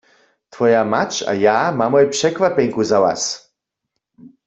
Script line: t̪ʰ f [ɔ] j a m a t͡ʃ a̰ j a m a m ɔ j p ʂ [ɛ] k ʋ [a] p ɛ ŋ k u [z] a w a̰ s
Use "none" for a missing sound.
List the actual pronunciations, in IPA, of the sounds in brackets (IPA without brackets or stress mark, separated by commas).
ɔ, ɛ, a, z